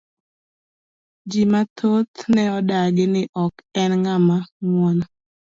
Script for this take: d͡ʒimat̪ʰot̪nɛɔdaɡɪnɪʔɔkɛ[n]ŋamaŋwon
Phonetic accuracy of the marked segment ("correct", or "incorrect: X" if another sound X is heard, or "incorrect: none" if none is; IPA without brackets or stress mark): correct